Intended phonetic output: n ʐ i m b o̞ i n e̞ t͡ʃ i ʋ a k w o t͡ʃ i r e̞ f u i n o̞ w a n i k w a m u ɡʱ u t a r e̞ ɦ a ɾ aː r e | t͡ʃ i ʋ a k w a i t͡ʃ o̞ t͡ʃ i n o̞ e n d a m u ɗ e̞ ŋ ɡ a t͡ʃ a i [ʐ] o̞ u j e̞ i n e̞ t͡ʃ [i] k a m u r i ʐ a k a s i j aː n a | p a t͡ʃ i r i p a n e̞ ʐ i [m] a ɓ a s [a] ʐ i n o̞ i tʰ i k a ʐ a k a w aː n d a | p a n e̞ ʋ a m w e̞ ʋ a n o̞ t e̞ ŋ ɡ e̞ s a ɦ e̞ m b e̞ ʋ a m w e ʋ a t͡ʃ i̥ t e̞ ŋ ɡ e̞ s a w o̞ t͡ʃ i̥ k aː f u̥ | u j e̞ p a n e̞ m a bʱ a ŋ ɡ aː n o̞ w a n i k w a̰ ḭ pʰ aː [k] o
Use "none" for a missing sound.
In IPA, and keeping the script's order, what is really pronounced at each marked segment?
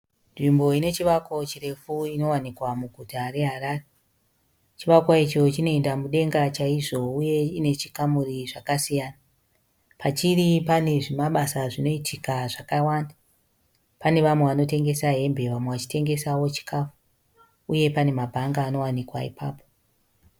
ʐ, i, m, a, p

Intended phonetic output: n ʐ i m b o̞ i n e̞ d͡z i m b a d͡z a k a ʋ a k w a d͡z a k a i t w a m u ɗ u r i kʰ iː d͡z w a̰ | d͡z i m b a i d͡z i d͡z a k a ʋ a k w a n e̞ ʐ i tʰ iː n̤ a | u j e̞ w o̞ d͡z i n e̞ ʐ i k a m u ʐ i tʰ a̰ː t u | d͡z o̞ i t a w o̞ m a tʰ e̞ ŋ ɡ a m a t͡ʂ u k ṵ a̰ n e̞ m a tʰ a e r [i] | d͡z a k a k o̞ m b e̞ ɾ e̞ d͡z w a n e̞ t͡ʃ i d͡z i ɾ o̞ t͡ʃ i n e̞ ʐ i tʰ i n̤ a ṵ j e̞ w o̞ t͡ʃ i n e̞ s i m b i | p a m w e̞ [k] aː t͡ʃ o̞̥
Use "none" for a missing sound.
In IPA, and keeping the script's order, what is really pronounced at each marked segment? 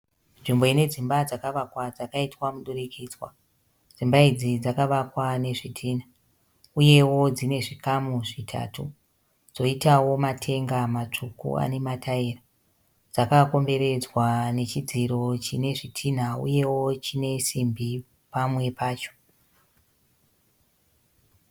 a, p

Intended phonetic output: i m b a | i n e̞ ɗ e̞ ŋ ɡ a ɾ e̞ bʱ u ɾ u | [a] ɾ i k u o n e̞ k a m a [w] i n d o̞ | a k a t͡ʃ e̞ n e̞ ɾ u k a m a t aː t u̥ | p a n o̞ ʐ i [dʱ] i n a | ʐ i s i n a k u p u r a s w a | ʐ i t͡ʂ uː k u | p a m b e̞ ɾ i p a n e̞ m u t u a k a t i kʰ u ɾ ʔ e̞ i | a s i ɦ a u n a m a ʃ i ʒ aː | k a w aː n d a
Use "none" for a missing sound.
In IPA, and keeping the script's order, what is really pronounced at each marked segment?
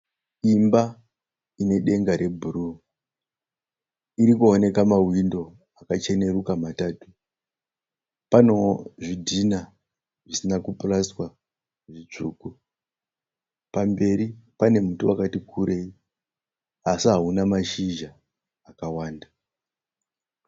i, w, dʱ

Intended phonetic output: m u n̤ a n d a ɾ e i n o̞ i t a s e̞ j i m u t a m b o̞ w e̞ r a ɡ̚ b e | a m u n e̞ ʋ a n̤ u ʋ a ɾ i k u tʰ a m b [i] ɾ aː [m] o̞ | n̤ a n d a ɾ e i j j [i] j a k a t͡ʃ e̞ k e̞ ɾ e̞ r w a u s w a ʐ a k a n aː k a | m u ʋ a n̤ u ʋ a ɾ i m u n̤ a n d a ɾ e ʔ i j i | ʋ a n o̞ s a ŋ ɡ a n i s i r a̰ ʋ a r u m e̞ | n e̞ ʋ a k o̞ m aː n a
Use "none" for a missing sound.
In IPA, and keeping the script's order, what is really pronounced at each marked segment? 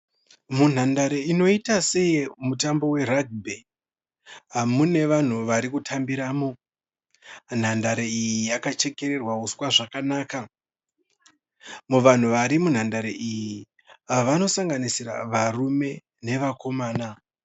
i, m, i

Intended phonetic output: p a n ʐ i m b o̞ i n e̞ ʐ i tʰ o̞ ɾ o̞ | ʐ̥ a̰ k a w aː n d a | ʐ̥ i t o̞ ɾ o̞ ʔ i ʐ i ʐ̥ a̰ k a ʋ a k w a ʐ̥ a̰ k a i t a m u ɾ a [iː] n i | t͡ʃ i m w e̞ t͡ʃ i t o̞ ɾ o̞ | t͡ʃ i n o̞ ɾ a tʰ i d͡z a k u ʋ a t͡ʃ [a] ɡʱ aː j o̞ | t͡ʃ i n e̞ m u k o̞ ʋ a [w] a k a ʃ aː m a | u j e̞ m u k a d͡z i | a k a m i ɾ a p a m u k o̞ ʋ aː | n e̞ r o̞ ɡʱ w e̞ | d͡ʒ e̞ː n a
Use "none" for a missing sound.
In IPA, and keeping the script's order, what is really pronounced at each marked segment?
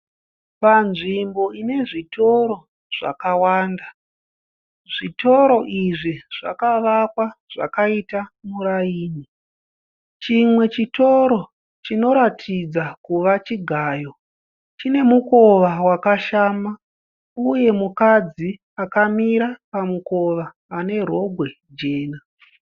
iː, i, w

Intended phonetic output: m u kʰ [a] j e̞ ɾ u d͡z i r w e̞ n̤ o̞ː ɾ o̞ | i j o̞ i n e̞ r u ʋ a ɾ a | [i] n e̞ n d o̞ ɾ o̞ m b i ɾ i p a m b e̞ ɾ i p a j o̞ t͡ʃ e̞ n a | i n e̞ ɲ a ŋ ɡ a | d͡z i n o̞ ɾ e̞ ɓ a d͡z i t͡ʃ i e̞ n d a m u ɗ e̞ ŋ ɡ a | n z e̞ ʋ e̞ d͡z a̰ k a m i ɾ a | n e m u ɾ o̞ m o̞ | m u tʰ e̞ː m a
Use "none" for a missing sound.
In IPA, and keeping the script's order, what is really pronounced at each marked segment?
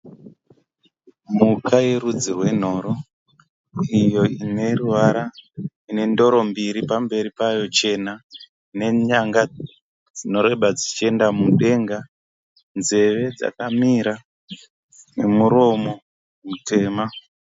a, i

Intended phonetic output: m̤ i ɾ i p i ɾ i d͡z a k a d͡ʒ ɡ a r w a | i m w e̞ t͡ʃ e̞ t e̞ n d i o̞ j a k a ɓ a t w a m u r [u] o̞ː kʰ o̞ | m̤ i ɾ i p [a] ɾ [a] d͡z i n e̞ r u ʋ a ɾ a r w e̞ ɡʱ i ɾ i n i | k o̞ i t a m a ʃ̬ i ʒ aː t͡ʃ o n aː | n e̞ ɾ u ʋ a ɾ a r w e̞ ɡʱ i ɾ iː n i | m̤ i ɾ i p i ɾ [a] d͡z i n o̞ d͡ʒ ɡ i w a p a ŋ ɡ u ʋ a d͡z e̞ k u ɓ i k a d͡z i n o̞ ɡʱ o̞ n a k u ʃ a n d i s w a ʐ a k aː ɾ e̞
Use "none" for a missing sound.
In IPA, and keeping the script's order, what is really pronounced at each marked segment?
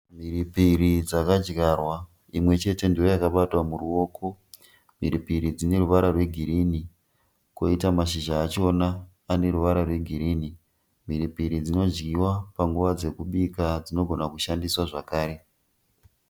u, i, i, i

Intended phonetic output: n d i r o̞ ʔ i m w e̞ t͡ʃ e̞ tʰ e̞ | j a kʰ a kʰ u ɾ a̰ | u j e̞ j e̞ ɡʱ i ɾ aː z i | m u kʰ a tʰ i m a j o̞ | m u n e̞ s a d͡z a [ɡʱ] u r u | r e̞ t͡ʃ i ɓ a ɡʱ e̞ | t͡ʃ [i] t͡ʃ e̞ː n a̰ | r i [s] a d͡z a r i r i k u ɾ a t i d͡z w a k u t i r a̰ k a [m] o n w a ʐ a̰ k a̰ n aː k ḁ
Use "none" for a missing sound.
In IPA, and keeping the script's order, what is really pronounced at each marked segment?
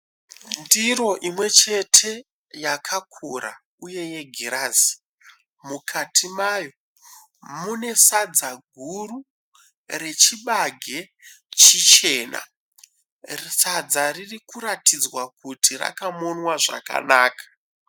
ɡʱ, i, s, m

